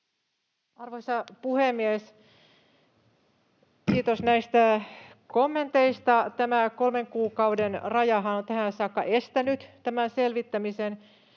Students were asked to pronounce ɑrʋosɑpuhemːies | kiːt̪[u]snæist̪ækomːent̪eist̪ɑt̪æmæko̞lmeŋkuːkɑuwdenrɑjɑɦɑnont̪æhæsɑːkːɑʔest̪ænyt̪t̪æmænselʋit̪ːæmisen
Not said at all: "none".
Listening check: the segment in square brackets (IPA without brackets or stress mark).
o